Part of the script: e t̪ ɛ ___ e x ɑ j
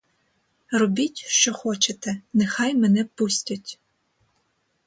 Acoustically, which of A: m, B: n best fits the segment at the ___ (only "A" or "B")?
B